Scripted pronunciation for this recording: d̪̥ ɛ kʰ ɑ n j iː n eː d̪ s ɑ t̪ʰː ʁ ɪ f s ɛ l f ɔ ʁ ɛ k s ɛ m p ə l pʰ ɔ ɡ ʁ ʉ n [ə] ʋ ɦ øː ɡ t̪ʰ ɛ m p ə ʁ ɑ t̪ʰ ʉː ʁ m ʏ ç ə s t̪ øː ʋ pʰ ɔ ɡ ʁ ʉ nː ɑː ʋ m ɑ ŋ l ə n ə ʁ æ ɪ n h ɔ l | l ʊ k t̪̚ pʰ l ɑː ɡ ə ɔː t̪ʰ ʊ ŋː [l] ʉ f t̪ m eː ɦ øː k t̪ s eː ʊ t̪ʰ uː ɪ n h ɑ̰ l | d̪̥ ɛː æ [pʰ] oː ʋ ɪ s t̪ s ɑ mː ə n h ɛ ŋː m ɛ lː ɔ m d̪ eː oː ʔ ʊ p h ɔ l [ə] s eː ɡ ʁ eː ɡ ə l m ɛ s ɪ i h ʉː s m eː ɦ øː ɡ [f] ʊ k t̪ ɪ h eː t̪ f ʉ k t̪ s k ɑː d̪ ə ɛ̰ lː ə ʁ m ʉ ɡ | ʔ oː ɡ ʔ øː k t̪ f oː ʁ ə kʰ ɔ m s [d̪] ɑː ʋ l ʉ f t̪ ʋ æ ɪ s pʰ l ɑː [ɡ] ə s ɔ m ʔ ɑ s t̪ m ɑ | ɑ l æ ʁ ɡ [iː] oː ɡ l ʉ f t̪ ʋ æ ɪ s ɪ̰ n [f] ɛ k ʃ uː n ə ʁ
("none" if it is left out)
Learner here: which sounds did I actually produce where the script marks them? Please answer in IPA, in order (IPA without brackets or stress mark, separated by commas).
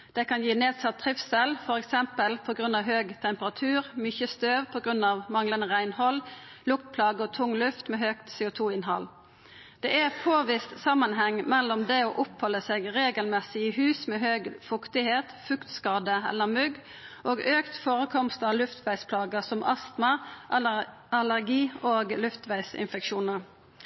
ɑ, l, pʰ, ə, f, t̪, ɡ, iː, f